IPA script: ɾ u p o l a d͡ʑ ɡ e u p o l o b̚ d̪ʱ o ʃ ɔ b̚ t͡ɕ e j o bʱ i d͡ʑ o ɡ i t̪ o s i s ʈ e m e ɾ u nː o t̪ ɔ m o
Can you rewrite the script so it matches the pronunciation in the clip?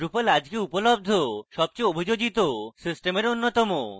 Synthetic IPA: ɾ u p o l a d͡ʑ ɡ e u p o l o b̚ d̪ʱ o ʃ ɔ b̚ t͡ɕ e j o bʱ i d͡ʑ o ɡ i t̪ o s i s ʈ e m e ɾ o nː o t̪ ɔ m o